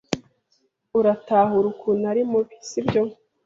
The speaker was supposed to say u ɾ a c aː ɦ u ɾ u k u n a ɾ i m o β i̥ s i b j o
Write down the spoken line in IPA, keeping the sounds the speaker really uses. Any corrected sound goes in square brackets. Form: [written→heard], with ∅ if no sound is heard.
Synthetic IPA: u ɾ a [c→t] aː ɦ u ɾ u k u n a ɾ i m [o→u] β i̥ s i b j o